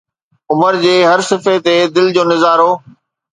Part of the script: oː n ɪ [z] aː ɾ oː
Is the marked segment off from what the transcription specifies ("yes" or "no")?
no